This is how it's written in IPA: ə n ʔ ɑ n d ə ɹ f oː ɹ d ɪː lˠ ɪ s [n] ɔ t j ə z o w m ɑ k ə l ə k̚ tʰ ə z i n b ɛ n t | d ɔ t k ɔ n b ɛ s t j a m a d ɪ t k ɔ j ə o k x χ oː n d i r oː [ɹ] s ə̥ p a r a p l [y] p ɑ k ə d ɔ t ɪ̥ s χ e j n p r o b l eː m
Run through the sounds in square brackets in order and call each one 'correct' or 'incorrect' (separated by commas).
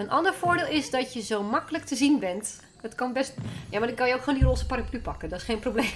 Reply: incorrect, incorrect, correct